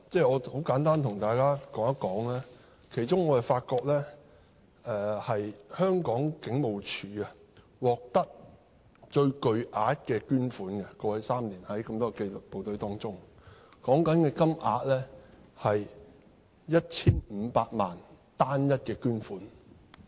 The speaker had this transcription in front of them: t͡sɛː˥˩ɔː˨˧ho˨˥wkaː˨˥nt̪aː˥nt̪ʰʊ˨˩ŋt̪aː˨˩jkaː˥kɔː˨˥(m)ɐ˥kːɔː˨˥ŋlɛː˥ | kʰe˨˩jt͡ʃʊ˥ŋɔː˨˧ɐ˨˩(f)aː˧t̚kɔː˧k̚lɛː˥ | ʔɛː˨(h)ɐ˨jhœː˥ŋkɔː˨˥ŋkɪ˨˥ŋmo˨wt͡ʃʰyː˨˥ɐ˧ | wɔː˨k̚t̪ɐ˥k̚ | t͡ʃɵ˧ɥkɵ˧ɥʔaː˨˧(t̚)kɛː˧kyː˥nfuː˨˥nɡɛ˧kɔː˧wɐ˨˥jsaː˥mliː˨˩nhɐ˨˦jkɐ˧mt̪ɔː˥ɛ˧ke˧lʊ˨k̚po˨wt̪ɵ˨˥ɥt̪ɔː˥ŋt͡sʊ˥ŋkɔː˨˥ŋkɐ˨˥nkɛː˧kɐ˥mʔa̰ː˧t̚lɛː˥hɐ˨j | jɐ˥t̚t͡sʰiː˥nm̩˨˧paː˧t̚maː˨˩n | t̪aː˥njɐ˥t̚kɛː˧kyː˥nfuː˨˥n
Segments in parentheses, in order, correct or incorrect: incorrect: ŋ, correct, correct, correct

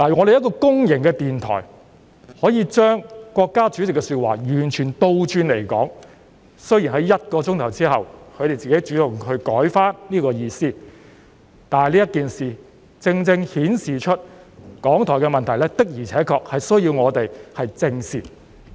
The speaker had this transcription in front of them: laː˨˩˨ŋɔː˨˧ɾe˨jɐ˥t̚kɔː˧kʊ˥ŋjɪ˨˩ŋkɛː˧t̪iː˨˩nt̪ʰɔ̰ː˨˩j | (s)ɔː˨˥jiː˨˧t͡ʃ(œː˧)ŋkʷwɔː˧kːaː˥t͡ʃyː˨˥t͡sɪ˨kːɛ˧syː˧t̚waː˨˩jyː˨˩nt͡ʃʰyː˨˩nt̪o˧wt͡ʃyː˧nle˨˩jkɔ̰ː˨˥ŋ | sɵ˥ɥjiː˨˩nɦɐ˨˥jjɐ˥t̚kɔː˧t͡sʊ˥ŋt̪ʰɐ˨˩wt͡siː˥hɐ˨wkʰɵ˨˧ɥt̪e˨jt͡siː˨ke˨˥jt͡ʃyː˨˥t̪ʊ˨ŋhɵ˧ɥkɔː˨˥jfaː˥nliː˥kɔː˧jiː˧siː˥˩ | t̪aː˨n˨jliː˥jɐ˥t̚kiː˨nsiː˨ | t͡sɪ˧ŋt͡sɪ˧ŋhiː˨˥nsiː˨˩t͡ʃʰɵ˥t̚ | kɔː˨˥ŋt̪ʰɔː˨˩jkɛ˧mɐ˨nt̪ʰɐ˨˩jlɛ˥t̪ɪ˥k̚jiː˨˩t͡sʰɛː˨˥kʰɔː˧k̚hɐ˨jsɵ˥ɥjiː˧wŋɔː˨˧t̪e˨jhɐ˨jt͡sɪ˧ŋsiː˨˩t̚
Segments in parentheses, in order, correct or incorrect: incorrect: h, incorrect: œː˥

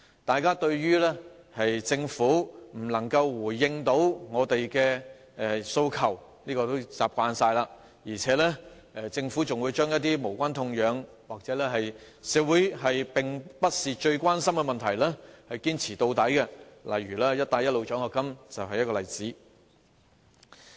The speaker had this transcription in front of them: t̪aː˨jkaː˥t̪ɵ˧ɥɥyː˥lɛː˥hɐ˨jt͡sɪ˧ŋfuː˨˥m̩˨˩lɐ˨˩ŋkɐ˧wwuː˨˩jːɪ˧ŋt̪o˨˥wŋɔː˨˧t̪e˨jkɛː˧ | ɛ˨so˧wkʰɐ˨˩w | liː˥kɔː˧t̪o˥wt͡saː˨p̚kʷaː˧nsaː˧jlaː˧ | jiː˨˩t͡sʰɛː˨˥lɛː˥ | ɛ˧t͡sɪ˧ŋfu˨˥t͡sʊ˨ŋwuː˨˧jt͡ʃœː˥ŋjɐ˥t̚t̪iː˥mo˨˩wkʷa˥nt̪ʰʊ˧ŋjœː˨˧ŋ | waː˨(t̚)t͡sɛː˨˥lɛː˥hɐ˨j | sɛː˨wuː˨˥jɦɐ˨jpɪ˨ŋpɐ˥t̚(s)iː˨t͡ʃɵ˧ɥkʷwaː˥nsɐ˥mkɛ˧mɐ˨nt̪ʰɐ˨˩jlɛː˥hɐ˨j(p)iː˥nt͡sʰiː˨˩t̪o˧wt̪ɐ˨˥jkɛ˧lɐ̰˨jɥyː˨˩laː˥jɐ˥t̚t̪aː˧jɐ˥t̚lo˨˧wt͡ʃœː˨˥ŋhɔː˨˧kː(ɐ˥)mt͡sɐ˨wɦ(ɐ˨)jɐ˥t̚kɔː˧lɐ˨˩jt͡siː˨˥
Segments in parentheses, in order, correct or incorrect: incorrect: k̚, correct, incorrect: k, correct, correct

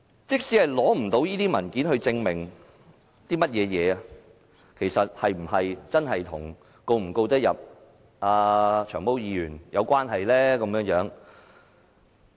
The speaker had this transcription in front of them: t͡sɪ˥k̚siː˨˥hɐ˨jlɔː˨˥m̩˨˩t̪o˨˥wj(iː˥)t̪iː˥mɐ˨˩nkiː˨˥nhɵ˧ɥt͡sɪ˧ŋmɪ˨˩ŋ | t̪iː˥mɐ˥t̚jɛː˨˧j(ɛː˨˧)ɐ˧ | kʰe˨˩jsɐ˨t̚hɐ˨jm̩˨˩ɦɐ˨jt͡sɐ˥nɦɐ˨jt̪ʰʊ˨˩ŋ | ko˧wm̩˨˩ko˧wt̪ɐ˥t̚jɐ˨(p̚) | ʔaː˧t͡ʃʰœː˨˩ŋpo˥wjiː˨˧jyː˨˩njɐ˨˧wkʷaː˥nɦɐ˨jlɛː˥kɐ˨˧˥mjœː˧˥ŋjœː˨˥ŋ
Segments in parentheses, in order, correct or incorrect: correct, correct, correct

